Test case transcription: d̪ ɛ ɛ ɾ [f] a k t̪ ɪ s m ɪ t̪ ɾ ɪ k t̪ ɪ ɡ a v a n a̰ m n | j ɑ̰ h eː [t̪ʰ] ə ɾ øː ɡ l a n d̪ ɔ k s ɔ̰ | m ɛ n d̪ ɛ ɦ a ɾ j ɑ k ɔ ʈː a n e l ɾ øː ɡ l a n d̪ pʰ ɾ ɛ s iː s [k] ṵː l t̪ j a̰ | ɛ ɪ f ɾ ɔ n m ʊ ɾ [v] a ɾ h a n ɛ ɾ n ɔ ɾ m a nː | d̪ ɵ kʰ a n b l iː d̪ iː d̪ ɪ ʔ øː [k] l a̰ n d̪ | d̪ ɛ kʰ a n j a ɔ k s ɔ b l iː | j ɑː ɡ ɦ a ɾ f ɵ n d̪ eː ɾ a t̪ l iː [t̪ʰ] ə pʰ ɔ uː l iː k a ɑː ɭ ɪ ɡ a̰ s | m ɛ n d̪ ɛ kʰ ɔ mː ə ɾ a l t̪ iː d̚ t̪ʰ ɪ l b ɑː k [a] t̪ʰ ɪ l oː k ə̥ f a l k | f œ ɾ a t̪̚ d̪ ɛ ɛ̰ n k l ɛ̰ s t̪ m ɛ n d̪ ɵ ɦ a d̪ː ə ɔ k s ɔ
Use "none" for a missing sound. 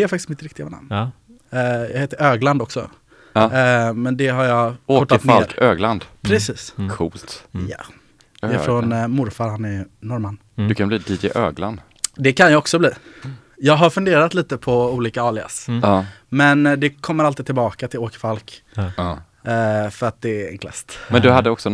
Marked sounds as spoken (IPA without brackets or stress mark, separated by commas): f, t̪, kʰ, f, ɡ, t̪, a